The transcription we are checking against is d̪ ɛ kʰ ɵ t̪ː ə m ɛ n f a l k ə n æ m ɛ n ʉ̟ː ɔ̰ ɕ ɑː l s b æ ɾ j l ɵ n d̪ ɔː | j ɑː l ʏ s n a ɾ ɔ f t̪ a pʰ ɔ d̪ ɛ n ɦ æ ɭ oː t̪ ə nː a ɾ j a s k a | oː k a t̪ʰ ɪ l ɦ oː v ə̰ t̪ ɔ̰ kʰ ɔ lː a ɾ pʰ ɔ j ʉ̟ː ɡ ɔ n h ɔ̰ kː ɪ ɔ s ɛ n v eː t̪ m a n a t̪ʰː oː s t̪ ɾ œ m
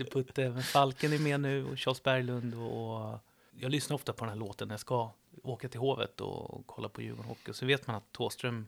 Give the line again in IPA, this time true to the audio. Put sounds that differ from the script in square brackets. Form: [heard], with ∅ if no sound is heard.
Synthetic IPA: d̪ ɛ [pʰ] ɵ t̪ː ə m ɛ n f a l k ə n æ m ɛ n ʉ̟ː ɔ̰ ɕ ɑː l s b æ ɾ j l ɵ n d̪ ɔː | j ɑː l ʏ s n a ɾ ɔ f t̪ a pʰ ɔ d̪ ɛ n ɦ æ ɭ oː t̪ ə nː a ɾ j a s k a | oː k a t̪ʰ ɪ l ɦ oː v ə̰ t̪ ɔ̰ kʰ ɔ lː a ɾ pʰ ɔ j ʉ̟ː ɡ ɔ n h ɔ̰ kː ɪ ɔ s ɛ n v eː t̪ m a n a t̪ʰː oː s t̪ ɾ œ m